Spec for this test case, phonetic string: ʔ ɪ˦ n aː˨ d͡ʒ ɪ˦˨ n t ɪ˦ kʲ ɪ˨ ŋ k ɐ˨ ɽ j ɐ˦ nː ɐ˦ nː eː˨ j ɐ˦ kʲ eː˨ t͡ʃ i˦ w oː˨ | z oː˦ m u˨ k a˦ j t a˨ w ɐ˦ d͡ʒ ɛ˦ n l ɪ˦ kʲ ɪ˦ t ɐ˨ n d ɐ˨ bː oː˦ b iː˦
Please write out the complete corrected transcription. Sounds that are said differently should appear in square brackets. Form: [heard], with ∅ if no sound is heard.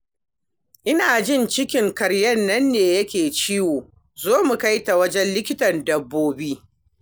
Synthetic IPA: ʔ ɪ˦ n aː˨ d͡ʒ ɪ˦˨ n [t͡ʃ] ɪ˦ kʲ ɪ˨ ŋ k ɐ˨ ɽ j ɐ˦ nː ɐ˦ nː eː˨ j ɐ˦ kʲ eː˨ t͡ʃ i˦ w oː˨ | z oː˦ m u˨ k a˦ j t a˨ w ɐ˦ d͡ʒ ɛ˦ n l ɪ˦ kʲ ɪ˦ t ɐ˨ n d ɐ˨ bː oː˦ b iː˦